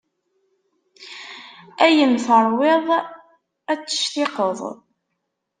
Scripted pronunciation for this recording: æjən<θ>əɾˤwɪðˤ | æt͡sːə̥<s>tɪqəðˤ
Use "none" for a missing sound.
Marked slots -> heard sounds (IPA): θ, ʃ

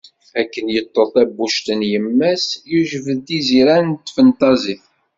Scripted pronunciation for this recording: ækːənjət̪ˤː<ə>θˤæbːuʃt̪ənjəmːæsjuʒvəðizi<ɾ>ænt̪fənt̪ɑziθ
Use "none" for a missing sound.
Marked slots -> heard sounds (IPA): ə, ɾ

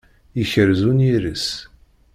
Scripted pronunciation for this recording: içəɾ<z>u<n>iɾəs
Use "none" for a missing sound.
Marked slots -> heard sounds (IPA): z, n

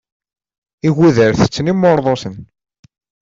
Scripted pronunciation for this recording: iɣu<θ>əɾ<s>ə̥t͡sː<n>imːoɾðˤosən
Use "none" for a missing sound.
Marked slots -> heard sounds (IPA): ð, θ, n

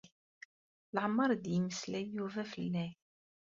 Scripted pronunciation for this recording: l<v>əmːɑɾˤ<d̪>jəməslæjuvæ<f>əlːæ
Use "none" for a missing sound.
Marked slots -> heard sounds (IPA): ʕ, d̪, f

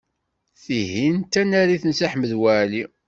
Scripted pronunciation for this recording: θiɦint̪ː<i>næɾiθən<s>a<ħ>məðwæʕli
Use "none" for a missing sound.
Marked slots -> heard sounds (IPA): æ, s, ħ

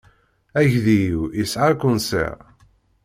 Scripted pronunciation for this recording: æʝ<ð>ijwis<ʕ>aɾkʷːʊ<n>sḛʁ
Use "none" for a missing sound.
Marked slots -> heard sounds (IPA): ð, ʕ, n

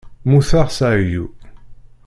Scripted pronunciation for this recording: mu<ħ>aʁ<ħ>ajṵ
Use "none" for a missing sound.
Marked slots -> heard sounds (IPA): θ, s

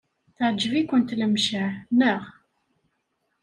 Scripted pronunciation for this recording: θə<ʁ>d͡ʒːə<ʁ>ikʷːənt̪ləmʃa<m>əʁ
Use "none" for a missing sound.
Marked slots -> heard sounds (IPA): ʕ, v, n

